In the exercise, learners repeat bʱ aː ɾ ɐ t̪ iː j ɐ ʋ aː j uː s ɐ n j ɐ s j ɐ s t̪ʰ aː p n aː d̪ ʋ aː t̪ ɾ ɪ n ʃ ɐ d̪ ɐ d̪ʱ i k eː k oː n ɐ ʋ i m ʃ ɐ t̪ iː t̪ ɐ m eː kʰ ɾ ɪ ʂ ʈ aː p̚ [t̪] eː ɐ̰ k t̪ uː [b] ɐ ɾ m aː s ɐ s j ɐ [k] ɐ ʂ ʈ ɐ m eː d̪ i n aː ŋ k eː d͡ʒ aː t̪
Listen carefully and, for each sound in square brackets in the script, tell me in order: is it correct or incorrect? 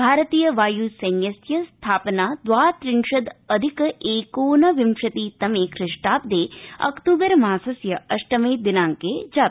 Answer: incorrect, correct, incorrect

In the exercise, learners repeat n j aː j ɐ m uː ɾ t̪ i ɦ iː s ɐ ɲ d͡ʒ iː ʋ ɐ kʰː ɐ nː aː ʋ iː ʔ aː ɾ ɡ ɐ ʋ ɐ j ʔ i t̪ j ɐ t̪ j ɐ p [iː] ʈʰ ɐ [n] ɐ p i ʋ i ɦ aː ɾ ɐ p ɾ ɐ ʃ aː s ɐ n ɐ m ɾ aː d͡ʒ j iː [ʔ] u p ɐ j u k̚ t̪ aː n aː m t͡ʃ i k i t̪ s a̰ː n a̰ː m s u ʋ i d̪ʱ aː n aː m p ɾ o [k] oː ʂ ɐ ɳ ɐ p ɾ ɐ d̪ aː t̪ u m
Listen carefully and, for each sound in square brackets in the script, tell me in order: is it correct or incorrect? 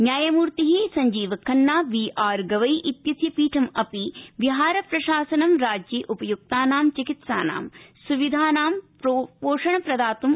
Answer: correct, incorrect, correct, incorrect

